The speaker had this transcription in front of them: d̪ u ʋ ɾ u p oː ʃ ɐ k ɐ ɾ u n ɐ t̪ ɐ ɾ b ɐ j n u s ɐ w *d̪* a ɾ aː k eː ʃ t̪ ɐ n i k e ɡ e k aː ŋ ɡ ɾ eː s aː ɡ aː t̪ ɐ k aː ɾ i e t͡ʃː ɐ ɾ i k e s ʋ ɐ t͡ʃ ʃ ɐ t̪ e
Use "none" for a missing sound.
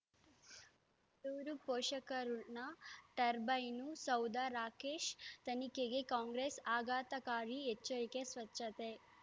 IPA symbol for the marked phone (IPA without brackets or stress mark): d̪